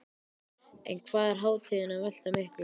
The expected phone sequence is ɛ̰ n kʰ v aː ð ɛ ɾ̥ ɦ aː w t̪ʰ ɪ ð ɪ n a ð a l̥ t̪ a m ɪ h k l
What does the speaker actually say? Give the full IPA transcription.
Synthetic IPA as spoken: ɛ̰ n kʰ v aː ð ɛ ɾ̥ ɦ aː w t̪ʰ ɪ ð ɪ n a v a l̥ t̪ a m ɪ h k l